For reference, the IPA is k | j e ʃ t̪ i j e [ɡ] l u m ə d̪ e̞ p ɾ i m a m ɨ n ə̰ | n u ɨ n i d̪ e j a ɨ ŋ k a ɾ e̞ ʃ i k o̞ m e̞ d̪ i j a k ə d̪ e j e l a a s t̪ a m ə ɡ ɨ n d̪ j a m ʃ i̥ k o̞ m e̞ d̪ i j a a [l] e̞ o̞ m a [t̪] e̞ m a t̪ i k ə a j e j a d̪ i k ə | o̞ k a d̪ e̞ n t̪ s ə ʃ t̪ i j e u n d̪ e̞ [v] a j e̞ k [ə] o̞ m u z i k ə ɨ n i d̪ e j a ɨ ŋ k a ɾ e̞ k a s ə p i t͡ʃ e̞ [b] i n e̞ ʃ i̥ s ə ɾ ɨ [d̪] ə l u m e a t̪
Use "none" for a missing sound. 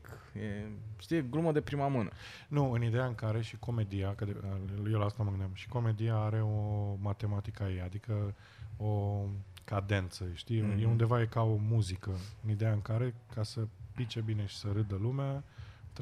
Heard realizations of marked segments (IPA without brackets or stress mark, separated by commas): ɡ, ɾ, t̪, v, a, b, d̪